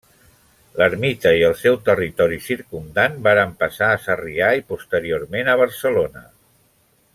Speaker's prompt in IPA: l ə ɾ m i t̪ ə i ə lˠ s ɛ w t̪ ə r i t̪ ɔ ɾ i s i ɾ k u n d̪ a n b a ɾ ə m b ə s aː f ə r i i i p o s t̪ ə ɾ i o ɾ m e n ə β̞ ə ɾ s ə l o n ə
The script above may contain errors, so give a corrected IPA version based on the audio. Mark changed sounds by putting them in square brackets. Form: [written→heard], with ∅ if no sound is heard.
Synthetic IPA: l ə ɾ m i t̪ ə i ə lˠ s ɛ w t̪ ə r i t̪ ɔ ɾ i s i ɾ k u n d̪ a n b a ɾ ə m [b→p] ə s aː [f→s] ə r i [i→a] i p [o→u] s t̪ ə ɾ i o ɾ m e n ə β̞ ə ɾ s ə l o n ə